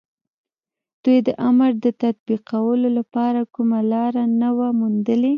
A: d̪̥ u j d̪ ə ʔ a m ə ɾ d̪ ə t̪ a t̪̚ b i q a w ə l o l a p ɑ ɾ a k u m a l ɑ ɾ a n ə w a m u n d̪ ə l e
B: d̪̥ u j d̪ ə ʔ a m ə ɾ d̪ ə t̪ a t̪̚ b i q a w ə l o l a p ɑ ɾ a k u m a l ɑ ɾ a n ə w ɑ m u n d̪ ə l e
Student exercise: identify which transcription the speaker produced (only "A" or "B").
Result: A